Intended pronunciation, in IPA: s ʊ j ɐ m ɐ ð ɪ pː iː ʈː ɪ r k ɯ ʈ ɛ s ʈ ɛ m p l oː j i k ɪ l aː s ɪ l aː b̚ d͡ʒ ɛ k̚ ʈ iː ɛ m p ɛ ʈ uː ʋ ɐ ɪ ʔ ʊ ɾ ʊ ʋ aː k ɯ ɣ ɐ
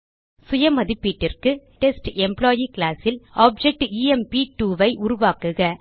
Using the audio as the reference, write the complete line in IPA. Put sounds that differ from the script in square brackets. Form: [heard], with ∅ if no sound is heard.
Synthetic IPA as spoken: s ʊ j ɐ m ɐ ð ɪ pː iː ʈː ɪ r k ɯ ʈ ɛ s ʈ ɛ m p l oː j i k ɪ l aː s ɪ l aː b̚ d͡ʒ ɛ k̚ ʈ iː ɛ m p [i] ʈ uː ʋ ɐ ɪ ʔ ʊ ɾ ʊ ʋ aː k ɯ ɣ ɐ

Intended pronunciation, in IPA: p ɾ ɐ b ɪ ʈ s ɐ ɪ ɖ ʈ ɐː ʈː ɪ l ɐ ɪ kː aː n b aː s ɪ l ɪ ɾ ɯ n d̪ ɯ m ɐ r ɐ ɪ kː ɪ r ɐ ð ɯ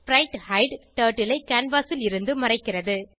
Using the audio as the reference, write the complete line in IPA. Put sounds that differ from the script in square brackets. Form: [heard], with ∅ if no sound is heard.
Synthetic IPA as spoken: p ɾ ɐ [∅] ɪ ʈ [h] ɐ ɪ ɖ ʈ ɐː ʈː ɪ l ɐ ɪ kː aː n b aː s ɪ l ɪ ɾ ɯ n d̪ ɯ m ɐ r ɐ ɪ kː ɪ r ɐ ð ɯ

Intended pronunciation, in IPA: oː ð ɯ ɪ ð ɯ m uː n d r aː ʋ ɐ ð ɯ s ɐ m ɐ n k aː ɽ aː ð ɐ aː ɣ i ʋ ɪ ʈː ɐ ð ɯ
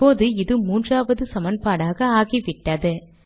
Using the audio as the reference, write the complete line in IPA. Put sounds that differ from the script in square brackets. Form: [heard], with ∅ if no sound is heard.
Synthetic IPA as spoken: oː ð ɯ ɪ ð ɯ m uː n d r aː ʋ ɐ ð ɯ s ɐ m ɐ n [p] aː ɽ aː [ɣ] ɐ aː ɣ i ʋ ɪ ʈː ɐ ð ɯ

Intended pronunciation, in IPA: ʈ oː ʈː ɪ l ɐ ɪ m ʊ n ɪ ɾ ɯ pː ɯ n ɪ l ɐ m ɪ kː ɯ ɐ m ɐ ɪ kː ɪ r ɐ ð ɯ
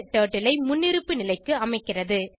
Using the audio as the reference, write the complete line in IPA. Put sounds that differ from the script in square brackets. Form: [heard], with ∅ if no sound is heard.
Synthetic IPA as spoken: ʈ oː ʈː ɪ l ɐ ɪ m ʊ [nː] ɪ ɾ ɯ pː ɯ n ɪ l ɐ [∅] ɪ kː ɯ ɐ m ɐ ɪ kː ɪ r ɐ ð ɯ

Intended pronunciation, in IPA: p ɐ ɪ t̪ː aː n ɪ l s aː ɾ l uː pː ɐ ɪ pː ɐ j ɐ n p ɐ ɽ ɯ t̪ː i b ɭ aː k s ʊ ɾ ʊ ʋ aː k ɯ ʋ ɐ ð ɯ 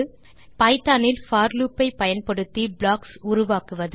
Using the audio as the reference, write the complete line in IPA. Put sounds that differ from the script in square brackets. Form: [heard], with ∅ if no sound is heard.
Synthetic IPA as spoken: p ɐ ɪ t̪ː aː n ɪ l [f] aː ɾ l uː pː ɐ ɪ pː ɐ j ɐ n p ɐ ɽ ɯ t̪ː i b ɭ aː k s ʊ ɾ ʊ ʋ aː k ɯ ʋ ɐ ð ɯ

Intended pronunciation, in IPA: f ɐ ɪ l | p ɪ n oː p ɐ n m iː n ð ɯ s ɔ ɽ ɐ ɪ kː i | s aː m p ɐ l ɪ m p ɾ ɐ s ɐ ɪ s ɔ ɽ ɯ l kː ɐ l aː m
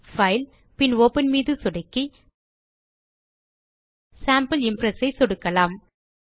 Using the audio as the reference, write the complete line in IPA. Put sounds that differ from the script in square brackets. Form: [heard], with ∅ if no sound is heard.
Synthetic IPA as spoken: f ɐ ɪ l | p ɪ n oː p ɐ n m iː [∅] ð ɯ s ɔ ɽ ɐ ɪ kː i | s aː m p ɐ l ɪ m p ɾ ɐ s ɐ ɪ s ɔ ɽ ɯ [∅] kː ɐ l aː m

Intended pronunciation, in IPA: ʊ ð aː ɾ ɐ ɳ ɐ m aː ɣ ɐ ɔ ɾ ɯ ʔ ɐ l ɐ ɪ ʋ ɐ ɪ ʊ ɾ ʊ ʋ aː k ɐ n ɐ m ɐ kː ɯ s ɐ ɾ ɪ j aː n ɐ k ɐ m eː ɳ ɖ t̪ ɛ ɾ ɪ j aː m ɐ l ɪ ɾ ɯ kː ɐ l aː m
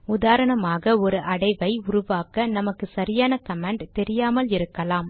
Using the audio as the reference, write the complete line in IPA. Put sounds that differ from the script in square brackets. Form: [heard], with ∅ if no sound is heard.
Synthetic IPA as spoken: ʊ ð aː ɾ ɐ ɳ ɐ m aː ɣ ɐ ɔ ɾ ɯ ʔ ɐ [ɽ] ɐ ɪ ʋ ɐ ɪ ʊ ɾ ʊ ʋ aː k ɐ n ɐ m ɐ kː ɯ s ɐ ɾ ɪ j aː n ɐ k ɐ m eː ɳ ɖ t̪ ɛ ɾ ɪ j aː m ɐ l ɪ ɾ ɯ kː ɐ l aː m

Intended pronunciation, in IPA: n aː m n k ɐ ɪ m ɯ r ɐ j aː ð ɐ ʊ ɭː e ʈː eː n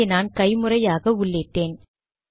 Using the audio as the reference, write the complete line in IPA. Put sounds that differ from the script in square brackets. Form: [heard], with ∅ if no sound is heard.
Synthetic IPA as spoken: n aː [∅] n k ɐ ɪ m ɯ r ɐ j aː [ɣ] ɐ ʊ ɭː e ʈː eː n

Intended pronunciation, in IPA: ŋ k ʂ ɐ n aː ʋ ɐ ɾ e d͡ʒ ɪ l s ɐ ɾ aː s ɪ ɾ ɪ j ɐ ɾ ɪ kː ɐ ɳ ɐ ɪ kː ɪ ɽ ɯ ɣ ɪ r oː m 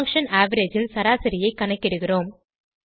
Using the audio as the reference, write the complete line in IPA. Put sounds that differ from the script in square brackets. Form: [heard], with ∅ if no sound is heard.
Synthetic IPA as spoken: ŋ k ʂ ɐ n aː ʋ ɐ ɾ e d͡ʒ ɪ l s ɐ ɾ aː s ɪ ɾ ɪ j ɐ [∅] ɪ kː ɐ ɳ ɐ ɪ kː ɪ ɽ ɯ ɣ ɪ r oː m

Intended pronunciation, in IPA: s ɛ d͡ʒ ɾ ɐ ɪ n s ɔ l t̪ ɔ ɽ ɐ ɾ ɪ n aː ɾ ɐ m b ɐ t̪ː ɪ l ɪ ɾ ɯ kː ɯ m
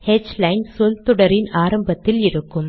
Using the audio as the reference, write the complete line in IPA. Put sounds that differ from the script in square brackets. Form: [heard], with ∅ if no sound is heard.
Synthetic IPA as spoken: [h] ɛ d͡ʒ [l] ɐ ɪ n s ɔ l t̪ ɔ ɽ ɐ ɾ ɪ n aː ɾ ɐ m b ɐ t̪ː ɪ l ɪ ɾ ɯ kː ɯ m

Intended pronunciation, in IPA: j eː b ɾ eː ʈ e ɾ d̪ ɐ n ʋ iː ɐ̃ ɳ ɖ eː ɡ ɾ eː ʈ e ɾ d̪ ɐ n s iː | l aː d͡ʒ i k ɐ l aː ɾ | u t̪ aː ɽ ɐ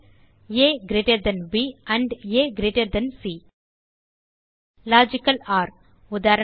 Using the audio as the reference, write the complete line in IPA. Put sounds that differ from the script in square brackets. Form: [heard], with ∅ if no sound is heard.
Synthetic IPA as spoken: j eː [ɡ] ɾ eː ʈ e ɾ d̪ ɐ n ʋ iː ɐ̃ ɳ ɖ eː ɡ ɾ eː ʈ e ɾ d̪ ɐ n s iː | l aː d͡ʒ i k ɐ l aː ɾ | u [d̪] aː [ɾ] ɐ

